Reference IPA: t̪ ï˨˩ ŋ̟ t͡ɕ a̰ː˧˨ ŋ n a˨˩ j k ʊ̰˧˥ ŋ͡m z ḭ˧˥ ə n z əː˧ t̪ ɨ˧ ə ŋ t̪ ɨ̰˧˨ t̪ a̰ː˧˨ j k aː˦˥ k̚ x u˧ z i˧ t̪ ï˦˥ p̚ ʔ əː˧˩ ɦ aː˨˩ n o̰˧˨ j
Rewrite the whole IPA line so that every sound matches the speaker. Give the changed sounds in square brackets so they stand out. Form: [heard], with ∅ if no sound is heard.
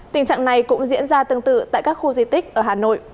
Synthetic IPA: t̪ ï˨˩ ŋ̟ t͡ɕ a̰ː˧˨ ŋ n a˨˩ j k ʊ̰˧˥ ŋ͡m z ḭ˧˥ ə n z [aː˧] t̪ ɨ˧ ə ŋ t̪ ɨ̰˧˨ t̪ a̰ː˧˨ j k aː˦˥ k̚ x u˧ z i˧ t̪ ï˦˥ [k̚] ʔ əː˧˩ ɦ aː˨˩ n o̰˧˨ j